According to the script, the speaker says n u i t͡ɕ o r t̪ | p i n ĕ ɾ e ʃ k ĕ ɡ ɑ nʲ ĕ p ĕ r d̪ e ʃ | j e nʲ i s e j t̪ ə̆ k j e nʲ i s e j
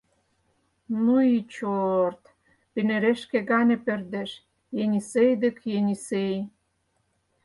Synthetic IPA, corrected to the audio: n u i t͡ɕ o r t̪ | p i n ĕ ɾ e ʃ k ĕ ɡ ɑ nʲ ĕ p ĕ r d̪ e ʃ | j e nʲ i s e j d̪ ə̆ k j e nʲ i s e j